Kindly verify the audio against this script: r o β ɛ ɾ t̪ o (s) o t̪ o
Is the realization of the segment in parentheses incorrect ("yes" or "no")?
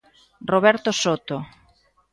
no